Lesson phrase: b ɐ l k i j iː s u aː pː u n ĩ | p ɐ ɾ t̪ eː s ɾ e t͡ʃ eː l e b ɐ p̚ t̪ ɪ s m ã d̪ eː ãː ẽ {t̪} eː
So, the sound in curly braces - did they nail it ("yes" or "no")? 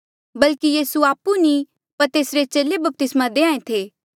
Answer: no